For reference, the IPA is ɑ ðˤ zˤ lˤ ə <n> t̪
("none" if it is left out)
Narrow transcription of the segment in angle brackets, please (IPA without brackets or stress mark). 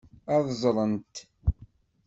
n